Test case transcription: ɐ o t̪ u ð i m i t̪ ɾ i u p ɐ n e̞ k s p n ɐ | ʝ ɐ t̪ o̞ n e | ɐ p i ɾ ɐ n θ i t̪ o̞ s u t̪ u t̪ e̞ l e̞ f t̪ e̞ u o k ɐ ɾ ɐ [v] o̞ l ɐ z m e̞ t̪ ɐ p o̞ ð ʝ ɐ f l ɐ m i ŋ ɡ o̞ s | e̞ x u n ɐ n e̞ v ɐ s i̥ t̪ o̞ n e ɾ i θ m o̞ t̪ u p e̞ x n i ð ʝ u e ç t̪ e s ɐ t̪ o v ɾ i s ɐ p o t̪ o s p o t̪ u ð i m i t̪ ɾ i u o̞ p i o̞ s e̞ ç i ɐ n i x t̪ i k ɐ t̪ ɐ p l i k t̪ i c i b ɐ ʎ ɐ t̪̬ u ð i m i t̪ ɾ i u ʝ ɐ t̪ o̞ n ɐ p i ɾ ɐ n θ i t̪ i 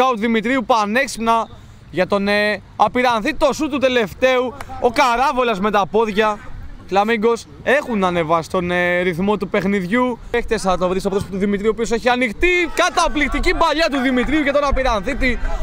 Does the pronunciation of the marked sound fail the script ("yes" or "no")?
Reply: no